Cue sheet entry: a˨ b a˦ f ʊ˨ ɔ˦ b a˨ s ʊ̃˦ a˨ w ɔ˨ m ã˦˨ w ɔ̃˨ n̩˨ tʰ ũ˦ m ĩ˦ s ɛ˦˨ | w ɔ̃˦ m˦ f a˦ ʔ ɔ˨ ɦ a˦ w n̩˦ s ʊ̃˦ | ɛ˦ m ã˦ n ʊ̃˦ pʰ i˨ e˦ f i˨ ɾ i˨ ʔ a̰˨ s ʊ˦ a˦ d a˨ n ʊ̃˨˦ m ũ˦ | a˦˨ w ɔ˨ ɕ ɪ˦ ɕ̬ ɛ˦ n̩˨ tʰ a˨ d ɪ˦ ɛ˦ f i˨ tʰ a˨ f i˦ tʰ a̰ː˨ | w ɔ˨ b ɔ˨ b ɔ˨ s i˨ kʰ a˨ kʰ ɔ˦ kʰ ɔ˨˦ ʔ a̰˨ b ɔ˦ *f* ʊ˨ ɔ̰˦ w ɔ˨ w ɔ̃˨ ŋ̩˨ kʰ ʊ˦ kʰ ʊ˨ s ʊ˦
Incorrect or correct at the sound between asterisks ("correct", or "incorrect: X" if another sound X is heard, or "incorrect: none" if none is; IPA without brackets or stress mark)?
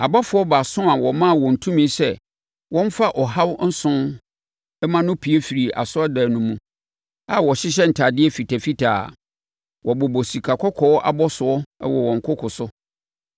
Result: incorrect: s